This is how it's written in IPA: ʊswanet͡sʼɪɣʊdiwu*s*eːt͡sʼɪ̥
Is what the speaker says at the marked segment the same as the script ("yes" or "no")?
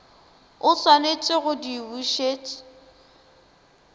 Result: no